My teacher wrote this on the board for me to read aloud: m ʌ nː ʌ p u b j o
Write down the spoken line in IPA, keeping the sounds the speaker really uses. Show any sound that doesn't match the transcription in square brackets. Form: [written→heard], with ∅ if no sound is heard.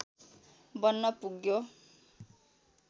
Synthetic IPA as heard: [m→b] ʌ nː ʌ p u [b→ɡ] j o